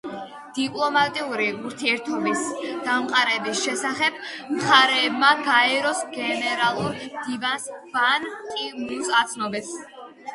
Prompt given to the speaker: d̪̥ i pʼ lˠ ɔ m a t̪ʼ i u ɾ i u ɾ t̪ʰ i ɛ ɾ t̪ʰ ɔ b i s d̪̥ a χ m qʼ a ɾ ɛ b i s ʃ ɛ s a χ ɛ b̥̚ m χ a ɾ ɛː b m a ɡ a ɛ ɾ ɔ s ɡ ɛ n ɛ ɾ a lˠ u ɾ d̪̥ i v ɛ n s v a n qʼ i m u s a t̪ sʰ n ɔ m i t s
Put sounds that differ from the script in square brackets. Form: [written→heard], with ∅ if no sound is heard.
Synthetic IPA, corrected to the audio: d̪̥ i pʼ lˠ ɔ m a t̪ʼ i u ɾ i u ɾ t̪ʰ i ɛ ɾ t̪ʰ ɔ b i s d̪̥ a [χ→∅] m qʼ a ɾ ɛ b i s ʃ ɛ s a χ ɛ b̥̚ m χ a ɾ ɛː b m a ɡ a ɛ ɾ ɔ s ɡ ɛ n ɛ ɾ a lˠ u ɾ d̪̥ i v [ɛ→a] n s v a n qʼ i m u s a t̪ sʰ n ɔ [m→b] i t s

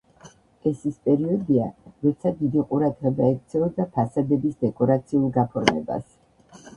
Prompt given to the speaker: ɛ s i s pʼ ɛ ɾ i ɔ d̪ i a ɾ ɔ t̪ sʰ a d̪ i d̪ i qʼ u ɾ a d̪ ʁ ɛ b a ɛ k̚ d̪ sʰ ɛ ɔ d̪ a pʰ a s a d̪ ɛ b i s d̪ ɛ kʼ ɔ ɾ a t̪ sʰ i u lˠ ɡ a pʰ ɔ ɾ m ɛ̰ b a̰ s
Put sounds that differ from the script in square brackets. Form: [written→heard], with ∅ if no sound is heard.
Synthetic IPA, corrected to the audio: ɛ s i s pʼ ɛ ɾ i ɔ d̪ i a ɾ ɔ t̪ sʰ a d̪ i d̪ i qʼ u ɾ a d̪ ʁ ɛ b a ɛ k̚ [d̪→t̪] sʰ ɛ ɔ d̪ a pʰ a s a d̪ ɛ b i s d̪ ɛ kʼ ɔ ɾ a t̪ sʰ i u lˠ ɡ a pʰ ɔ ɾ m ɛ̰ b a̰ s

